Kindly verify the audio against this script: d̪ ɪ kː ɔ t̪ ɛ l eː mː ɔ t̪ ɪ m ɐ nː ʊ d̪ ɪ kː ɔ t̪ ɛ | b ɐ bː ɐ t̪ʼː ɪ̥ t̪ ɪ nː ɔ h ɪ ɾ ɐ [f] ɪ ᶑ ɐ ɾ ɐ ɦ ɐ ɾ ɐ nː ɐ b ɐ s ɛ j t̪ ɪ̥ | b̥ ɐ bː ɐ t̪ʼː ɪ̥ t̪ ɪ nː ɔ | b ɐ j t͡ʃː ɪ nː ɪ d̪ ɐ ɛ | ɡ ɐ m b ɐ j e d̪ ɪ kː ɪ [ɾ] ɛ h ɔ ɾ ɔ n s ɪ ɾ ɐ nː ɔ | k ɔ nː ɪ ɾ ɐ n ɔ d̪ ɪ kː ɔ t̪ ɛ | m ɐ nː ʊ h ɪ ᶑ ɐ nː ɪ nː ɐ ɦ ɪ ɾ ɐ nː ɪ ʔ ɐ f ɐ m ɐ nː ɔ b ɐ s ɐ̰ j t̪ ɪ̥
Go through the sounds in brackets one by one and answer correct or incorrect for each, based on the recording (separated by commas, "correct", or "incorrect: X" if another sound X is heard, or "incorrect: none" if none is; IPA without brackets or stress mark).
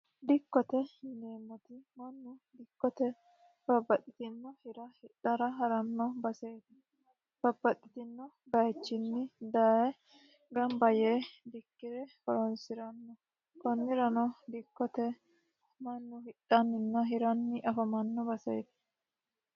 incorrect: h, correct